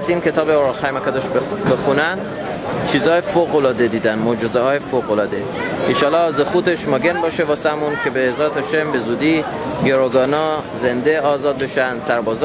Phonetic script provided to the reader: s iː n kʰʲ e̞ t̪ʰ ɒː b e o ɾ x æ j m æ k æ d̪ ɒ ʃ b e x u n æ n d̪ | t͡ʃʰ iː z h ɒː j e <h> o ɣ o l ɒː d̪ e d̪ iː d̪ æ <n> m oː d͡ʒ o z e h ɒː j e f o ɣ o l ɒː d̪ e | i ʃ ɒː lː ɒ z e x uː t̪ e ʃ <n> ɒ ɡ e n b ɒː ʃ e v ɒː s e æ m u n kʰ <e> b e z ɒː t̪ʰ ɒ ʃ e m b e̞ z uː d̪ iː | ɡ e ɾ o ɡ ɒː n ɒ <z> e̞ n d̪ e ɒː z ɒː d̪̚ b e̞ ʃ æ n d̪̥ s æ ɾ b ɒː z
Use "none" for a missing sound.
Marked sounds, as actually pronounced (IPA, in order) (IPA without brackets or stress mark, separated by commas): f, n, m, e, z